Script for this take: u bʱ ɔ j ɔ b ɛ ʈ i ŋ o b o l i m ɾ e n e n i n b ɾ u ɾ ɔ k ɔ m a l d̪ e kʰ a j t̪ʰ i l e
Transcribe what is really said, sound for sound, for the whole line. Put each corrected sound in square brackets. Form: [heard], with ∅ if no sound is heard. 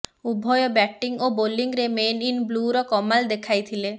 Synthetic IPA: u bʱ ɔ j ɔ b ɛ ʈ i ŋ o b o l i [ŋ] ɾ e [m] e n i n b [l] u ɾ ɔ k ɔ m a l d̪ e kʰ a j t̪ʰ i l e